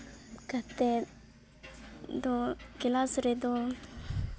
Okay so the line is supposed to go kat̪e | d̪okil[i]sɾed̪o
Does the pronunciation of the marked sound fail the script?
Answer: yes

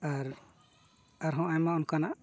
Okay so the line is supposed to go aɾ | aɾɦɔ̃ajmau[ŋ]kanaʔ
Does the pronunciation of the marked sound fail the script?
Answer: yes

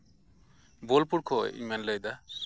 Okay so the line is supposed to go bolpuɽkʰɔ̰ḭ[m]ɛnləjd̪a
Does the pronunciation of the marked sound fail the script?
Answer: no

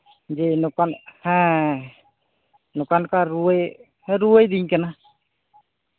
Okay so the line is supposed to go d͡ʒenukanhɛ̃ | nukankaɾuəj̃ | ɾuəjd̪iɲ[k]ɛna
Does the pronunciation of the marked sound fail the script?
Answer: no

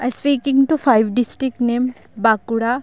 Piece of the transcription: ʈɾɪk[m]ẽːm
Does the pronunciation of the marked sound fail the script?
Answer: yes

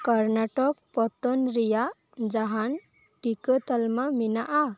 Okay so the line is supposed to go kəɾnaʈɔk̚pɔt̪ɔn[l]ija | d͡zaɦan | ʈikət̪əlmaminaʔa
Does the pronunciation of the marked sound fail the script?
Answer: yes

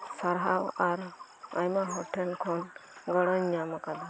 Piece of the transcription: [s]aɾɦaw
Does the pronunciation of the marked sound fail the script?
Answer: no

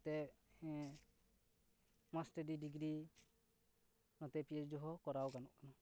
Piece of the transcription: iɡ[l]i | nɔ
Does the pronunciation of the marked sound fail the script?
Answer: yes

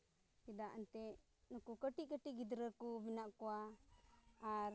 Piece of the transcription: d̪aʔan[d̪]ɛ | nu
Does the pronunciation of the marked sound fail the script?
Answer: yes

